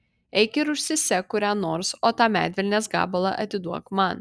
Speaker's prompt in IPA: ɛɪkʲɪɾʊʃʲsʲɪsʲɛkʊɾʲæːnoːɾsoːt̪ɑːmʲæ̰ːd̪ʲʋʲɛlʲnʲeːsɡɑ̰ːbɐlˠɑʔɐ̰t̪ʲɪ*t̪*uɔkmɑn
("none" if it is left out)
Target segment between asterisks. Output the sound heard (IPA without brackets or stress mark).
d̪